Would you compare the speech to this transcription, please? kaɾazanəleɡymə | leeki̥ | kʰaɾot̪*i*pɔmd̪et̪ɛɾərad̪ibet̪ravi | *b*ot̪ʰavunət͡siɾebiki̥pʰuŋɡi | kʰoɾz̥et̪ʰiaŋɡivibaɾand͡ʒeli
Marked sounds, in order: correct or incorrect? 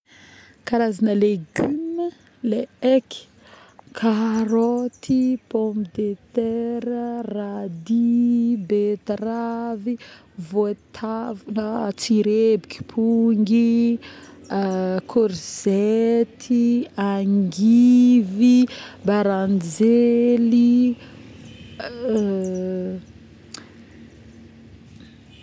correct, incorrect: v

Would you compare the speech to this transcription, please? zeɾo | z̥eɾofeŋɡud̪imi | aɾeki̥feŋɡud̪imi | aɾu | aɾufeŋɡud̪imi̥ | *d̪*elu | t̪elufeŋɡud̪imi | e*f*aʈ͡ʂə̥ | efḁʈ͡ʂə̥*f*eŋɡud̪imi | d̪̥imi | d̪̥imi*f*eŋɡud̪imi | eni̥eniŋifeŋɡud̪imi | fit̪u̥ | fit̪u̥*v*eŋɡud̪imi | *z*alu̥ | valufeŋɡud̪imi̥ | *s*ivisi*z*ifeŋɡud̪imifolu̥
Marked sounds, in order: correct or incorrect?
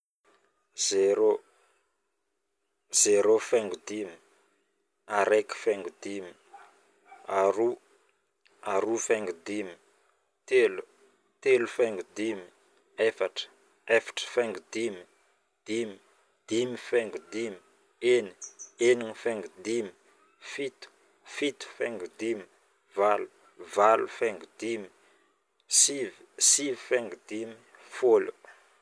incorrect: t̪, correct, correct, correct, incorrect: f, incorrect: v, correct, incorrect: v

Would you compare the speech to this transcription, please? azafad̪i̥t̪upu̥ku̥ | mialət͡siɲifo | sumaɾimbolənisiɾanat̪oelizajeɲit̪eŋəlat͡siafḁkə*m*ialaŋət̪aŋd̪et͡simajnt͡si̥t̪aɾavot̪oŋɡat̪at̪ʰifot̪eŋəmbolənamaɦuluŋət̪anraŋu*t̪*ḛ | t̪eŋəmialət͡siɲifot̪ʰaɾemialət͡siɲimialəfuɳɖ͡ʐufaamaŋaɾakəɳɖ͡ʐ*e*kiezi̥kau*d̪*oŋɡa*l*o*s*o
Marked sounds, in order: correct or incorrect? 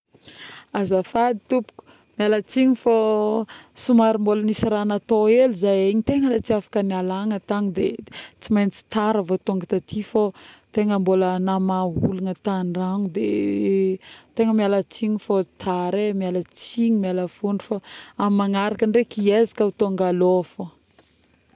incorrect: n, incorrect: d̪, correct, incorrect: t̪, correct, incorrect: f

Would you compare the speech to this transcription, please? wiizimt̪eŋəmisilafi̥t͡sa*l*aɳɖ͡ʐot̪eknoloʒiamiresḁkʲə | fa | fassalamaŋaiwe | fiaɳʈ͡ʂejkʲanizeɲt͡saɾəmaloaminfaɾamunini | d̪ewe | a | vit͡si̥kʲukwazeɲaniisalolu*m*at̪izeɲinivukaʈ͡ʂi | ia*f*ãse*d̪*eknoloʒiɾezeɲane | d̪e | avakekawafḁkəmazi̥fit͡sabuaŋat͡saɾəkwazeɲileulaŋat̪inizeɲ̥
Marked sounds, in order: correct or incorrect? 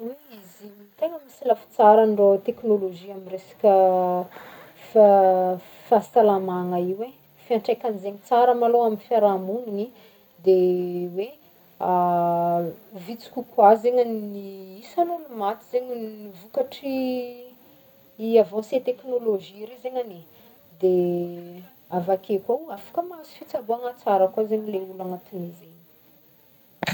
incorrect: ɾ, correct, incorrect: v, incorrect: t̪

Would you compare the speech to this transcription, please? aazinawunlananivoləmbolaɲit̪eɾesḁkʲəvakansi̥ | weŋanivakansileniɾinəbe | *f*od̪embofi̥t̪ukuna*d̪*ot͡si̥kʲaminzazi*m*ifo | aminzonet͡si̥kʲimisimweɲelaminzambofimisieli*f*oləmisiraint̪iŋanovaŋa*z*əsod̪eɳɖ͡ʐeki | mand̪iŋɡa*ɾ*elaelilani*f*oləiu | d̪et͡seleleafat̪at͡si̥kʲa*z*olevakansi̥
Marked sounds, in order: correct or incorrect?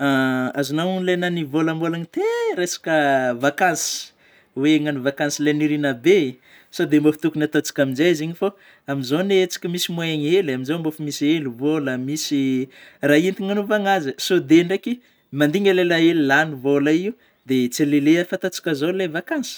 incorrect: s, incorrect: t̪, incorrect: ɲ, incorrect: v, correct, incorrect: l, incorrect: v, correct

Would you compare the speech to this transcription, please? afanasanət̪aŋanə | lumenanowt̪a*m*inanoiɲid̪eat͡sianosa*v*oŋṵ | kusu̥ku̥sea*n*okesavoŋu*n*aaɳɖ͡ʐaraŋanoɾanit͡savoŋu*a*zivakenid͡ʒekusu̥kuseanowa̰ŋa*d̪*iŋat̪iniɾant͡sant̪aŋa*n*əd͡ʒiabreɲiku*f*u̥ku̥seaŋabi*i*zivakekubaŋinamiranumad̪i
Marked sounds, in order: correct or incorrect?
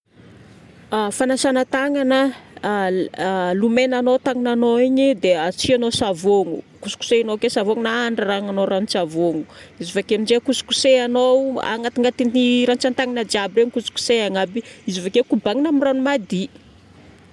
incorrect: ŋ, correct, correct, correct, incorrect: i, incorrect: t̪, correct, incorrect: s, correct

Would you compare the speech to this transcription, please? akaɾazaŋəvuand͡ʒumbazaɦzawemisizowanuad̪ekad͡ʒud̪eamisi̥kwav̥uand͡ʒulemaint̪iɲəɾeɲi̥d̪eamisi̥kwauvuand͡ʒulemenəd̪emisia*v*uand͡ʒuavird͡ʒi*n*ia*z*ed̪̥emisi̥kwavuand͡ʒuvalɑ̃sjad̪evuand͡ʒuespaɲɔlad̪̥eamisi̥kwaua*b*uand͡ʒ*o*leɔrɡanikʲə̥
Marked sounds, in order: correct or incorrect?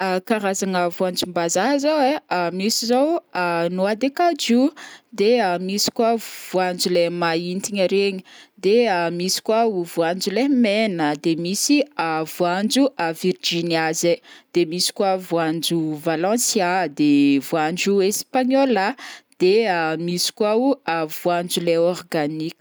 correct, correct, correct, incorrect: v, incorrect: u

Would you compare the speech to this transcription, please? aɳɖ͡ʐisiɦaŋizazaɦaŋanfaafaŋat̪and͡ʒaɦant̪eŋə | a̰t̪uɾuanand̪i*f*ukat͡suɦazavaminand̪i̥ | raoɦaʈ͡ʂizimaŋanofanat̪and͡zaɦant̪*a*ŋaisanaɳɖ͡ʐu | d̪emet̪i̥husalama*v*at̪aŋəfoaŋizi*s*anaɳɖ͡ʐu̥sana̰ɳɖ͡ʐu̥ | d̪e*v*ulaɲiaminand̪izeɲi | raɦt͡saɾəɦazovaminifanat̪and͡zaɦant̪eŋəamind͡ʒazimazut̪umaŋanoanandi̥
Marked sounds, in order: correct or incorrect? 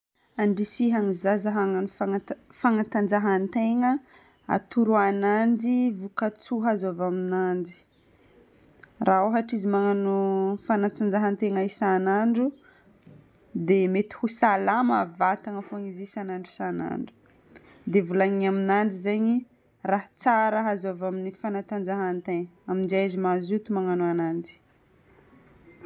incorrect: v, incorrect: e, correct, correct, correct

